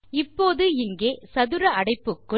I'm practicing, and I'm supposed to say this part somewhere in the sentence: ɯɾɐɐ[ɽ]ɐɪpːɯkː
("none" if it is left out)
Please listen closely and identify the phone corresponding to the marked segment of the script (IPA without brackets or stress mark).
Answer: ɽ